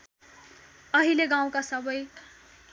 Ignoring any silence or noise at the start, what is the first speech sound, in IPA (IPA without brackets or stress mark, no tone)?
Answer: ʌ